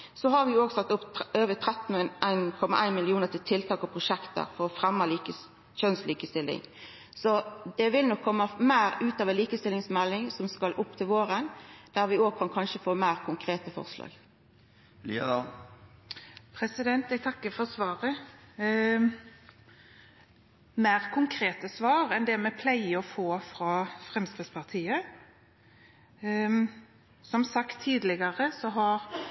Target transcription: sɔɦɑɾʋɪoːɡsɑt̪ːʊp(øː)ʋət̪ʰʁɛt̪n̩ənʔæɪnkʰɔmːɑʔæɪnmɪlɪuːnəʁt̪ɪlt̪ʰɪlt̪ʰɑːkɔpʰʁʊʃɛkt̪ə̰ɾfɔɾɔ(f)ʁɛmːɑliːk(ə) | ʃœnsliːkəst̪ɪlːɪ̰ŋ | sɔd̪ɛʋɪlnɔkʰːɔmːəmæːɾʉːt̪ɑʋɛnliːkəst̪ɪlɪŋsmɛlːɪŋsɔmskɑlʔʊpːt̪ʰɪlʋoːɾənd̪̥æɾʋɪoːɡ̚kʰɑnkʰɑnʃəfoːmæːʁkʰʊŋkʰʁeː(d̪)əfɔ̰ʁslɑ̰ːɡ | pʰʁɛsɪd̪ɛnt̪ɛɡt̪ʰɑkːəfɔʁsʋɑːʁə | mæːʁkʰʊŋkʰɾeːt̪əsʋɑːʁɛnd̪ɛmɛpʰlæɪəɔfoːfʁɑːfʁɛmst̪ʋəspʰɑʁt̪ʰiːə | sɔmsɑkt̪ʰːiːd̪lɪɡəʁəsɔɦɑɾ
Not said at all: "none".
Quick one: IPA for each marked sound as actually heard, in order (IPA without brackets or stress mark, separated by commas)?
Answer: øː, f, ə, t̪